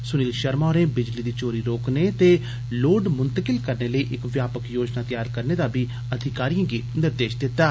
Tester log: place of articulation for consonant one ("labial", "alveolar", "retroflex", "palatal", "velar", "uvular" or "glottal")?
alveolar